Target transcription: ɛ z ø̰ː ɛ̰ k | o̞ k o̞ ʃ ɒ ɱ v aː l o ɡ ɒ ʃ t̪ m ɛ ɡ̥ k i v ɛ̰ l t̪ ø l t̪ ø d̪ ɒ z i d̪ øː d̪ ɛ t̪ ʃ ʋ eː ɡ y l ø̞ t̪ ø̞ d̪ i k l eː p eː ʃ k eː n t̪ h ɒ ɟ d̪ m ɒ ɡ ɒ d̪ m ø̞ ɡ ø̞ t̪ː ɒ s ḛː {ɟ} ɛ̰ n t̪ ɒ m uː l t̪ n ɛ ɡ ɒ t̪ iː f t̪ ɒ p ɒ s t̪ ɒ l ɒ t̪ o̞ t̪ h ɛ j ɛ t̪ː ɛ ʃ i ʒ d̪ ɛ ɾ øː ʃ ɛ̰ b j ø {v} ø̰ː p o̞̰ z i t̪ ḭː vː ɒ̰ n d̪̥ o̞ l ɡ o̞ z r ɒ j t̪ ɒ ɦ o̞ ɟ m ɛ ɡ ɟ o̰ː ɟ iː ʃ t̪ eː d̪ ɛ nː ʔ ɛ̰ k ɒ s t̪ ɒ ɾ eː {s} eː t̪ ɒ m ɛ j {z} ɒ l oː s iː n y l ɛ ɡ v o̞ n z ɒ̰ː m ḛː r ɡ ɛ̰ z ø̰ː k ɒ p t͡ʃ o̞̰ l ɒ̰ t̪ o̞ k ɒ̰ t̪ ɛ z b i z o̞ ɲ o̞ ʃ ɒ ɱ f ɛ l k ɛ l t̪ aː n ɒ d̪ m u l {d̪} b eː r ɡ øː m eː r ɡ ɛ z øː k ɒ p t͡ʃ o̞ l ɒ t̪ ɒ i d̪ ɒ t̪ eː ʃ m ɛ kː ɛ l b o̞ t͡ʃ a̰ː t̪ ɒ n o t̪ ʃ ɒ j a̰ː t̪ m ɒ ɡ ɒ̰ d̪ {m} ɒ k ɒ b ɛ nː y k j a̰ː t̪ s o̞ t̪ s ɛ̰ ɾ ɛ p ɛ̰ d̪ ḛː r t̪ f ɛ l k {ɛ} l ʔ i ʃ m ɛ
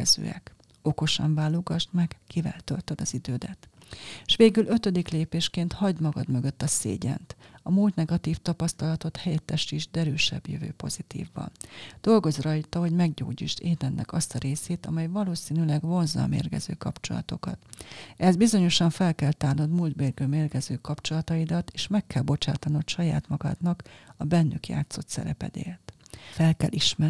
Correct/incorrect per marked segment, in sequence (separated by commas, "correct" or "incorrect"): correct, correct, correct, incorrect, correct, incorrect, correct